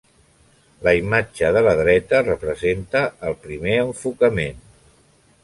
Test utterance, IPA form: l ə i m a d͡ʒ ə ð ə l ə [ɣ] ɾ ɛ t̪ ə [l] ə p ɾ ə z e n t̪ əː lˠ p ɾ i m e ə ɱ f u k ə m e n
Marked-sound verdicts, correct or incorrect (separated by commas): incorrect, incorrect